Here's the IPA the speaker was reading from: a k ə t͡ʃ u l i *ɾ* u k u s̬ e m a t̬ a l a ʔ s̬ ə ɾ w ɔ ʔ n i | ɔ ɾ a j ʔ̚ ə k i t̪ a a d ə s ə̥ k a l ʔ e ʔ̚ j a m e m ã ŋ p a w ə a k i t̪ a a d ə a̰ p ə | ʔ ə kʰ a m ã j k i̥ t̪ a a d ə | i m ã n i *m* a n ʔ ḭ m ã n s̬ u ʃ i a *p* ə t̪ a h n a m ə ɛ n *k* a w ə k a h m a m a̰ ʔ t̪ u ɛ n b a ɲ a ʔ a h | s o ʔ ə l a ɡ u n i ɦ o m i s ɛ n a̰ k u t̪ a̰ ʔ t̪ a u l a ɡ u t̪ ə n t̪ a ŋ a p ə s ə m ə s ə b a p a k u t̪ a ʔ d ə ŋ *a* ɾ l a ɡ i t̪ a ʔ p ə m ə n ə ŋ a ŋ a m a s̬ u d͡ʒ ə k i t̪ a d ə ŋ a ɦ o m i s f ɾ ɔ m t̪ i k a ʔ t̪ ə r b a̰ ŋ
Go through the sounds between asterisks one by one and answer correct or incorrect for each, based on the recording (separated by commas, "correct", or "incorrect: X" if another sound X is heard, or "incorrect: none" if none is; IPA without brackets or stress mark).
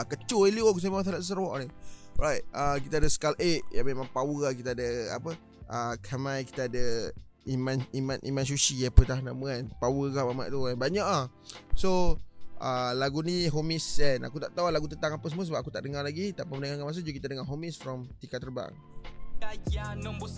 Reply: incorrect: l, correct, correct, incorrect: p, correct